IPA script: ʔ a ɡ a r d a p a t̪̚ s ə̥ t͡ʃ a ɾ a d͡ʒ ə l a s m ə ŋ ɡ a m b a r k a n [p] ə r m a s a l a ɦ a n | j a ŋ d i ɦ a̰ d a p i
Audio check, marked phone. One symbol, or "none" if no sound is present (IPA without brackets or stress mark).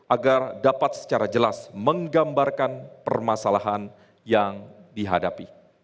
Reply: p